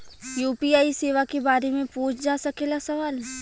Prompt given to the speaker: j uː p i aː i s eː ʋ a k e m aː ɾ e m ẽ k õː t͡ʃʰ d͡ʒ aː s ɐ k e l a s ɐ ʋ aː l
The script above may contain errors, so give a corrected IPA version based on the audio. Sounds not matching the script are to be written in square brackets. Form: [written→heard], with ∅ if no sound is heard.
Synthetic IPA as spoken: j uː p i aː i s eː ʋ a k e [m→b] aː ɾ e m ẽ [k→p] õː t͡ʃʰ d͡ʒ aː s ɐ k e l a s ɐ ʋ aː l